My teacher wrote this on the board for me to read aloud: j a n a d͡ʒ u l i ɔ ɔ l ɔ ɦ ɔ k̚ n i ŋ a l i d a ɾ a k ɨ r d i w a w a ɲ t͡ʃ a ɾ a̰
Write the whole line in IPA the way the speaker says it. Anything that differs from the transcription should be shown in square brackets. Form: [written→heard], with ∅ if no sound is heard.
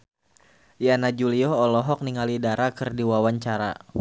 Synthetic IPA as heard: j a n a d͡ʒ u l i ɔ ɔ l ɔ ɦ ɔ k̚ n i ŋ a l i d a ɾ a k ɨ r d i w a w a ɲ t͡ʃ a ɾ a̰